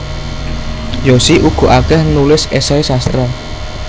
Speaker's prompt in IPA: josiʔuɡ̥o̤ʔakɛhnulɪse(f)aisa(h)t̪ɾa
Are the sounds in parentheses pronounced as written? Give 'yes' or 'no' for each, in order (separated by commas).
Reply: no, no